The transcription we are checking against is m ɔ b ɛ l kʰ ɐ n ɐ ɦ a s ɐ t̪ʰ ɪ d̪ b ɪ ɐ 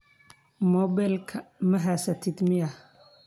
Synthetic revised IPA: m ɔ b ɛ l kʰ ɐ m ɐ ɦ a s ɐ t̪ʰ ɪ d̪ m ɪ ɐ